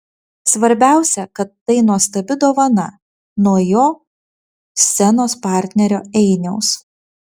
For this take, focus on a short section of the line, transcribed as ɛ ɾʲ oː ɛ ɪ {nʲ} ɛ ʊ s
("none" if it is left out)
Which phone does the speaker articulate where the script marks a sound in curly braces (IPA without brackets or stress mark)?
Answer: nʲ